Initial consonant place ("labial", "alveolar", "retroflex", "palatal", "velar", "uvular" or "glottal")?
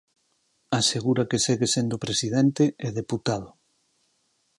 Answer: alveolar